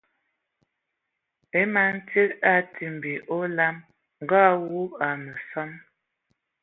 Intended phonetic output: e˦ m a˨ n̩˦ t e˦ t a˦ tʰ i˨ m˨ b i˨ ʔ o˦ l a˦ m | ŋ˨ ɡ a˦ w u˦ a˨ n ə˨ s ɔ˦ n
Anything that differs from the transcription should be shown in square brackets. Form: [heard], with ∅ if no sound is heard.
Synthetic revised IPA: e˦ m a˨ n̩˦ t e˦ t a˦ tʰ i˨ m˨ b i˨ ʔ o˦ l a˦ m | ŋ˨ ɡ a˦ w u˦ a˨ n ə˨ s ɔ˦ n